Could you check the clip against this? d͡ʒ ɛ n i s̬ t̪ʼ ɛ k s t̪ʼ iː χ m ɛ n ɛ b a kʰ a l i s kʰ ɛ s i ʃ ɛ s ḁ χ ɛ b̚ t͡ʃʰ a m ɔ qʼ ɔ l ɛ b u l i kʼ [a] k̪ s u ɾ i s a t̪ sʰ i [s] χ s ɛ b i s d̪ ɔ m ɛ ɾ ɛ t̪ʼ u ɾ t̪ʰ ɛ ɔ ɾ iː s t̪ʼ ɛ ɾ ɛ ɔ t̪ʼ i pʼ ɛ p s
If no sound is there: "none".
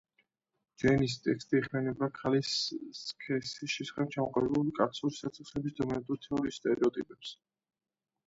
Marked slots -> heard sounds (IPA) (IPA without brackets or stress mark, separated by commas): a, none